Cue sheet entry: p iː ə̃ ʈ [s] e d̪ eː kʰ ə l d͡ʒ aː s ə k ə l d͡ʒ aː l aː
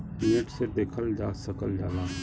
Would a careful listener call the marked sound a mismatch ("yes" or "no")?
no